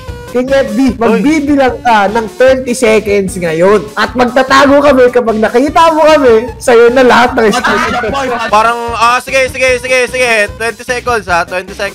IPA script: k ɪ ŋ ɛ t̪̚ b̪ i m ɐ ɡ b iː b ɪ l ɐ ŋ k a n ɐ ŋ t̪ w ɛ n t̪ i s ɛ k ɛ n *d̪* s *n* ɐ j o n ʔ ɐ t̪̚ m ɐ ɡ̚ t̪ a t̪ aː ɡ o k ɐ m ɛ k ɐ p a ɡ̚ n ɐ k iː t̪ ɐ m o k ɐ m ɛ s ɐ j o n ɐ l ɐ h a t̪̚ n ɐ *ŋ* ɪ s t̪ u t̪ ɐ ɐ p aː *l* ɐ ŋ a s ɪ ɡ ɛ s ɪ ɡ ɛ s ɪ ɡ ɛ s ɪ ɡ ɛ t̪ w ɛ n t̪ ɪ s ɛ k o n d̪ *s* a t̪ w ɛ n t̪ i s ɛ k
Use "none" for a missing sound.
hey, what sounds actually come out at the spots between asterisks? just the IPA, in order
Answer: d̪, ŋ, ŋ, ɾ, s

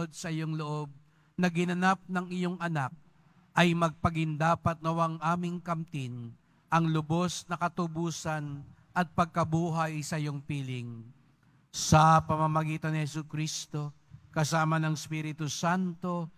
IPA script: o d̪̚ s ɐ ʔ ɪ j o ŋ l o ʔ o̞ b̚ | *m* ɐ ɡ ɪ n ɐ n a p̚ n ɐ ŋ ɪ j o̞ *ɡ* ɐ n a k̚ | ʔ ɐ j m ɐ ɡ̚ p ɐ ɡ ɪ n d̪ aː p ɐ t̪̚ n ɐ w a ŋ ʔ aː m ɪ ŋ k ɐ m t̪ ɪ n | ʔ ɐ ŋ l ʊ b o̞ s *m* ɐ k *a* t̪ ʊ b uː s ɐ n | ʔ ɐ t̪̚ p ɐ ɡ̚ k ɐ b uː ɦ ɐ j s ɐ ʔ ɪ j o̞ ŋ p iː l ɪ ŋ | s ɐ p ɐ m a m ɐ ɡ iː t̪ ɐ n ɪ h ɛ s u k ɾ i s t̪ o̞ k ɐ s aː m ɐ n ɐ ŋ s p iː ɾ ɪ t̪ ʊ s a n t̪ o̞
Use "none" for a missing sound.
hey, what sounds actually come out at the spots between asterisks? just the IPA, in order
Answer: n, ŋ, n, ɐ

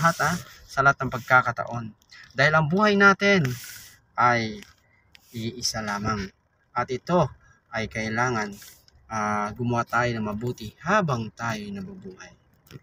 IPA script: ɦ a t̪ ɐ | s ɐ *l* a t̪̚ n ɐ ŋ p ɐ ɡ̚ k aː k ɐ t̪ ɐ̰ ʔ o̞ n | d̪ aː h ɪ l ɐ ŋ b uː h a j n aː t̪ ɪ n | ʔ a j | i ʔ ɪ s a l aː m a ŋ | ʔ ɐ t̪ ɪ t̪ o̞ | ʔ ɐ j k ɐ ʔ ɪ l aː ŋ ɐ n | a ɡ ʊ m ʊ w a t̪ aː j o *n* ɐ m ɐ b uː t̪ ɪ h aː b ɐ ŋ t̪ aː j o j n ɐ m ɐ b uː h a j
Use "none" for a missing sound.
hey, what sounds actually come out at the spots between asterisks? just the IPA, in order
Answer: l, n

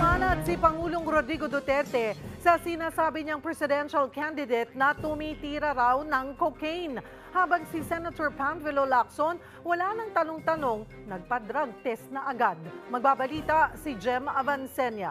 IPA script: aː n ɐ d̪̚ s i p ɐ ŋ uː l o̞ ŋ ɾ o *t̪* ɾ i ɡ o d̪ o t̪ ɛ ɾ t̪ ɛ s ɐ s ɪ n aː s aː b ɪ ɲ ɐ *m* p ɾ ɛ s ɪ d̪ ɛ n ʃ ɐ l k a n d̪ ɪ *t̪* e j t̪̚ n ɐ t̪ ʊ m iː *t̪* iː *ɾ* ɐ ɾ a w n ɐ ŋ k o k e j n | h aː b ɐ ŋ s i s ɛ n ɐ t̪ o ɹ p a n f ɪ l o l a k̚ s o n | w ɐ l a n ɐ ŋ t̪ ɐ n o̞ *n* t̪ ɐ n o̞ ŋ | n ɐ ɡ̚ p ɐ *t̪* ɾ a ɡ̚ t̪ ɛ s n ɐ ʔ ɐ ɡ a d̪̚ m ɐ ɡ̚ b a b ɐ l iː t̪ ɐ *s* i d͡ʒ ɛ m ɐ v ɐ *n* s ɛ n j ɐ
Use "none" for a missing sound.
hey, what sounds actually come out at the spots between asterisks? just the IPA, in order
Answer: d̪, ŋ, d̪, t̪, ɾ, ŋ, d̪, s, n

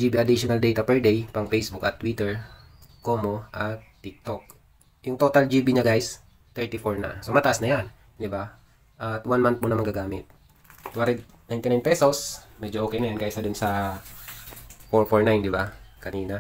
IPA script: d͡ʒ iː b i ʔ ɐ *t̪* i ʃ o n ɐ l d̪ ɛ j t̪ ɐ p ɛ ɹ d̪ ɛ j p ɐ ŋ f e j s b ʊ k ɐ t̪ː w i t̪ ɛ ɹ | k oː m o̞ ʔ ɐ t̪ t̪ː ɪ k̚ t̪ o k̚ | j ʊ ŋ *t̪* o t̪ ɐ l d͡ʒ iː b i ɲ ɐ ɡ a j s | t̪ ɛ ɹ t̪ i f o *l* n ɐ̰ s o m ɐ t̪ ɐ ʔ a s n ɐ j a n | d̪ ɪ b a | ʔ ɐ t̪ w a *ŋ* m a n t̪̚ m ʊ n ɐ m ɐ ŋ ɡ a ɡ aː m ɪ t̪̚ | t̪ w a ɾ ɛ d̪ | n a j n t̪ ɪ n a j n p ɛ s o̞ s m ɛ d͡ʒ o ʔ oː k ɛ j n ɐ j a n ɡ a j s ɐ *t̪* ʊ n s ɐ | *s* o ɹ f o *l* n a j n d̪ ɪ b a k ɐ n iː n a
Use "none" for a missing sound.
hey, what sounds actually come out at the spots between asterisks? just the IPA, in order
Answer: d̪, t̪, ɹ, n, d̪, f, ɹ

